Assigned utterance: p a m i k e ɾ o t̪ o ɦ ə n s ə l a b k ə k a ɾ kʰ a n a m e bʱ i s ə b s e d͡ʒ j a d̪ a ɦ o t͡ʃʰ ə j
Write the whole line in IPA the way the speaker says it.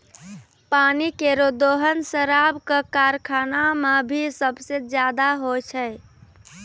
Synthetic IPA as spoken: p a n i k e ɾ o d̪ o ɦ ə n s ə ɾ a b k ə k a ɾ kʰ a n a m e bʱ i s ə b s e d͡ʒ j a d̪ a ɦ o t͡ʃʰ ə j